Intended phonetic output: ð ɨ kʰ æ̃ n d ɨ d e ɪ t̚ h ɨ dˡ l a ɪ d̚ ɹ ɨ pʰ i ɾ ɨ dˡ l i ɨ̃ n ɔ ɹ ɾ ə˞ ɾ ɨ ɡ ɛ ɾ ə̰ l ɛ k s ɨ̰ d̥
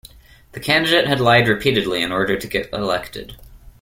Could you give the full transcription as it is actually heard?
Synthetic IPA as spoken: ð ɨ kʰ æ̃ n d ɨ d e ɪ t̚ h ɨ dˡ l a ɪ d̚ ɹ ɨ pʰ i ɾ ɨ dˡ l i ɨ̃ n ɔ ɹ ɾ ə˞ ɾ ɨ ɡ ɛ ɾ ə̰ l ɛ k t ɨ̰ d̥

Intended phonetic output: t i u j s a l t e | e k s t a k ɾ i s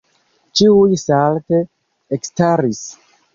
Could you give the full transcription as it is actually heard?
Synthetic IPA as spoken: t͡ʃ i u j s a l t e | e k s t a ɾ i s

